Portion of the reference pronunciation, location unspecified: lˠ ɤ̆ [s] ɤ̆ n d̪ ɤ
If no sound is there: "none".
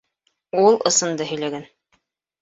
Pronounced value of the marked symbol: s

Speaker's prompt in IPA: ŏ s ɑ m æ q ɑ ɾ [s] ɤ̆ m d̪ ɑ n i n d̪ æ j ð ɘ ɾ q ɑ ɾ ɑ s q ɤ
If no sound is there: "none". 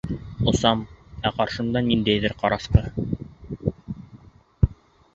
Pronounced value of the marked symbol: ʃ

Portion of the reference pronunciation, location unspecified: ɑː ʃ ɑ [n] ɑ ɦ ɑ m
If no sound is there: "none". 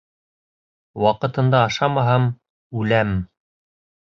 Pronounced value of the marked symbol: m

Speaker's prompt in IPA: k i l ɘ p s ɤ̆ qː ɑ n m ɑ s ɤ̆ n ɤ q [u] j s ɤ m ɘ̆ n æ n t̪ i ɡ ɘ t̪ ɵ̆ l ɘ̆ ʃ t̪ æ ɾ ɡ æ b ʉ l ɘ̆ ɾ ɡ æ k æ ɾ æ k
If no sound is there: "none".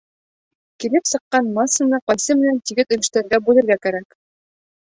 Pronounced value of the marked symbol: ɒ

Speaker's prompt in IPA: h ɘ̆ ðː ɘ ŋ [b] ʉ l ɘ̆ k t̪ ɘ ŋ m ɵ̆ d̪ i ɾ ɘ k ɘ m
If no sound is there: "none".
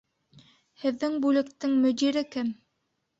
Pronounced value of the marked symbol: b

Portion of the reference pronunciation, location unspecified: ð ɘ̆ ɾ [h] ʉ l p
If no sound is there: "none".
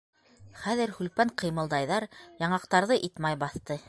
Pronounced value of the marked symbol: h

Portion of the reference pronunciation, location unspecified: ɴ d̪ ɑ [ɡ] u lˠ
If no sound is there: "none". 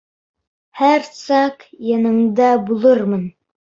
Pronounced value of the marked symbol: b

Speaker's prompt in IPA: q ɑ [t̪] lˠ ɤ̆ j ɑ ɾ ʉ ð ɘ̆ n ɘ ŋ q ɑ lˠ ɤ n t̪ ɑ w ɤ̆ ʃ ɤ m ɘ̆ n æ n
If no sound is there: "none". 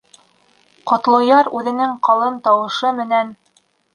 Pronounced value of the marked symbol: t̪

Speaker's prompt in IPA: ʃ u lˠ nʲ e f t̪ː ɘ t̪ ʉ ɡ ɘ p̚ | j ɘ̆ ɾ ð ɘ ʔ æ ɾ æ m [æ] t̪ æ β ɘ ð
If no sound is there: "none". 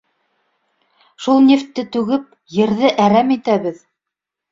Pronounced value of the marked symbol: i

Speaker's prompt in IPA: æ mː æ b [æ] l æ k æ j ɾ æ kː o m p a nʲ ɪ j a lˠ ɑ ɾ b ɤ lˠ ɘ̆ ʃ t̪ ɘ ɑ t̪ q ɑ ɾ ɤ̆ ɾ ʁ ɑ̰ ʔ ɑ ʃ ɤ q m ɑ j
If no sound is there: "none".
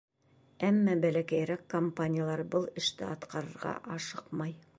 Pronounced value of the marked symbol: æ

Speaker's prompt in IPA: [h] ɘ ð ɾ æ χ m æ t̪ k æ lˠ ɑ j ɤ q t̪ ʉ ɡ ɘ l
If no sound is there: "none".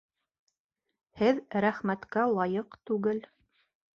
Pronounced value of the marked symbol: h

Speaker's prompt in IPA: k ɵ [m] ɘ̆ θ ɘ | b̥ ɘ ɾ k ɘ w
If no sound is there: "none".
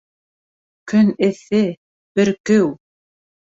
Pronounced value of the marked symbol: n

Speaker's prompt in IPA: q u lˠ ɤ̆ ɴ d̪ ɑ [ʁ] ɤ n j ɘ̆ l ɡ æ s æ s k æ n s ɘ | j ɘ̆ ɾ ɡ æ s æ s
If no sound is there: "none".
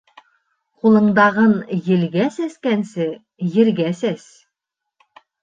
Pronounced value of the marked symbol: ʁ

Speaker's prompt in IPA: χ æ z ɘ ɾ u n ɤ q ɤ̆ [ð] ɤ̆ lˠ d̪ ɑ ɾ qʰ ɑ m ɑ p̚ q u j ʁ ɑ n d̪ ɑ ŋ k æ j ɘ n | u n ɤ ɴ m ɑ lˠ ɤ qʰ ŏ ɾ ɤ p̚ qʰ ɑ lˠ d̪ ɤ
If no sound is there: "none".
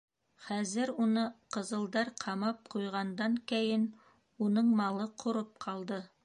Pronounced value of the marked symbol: z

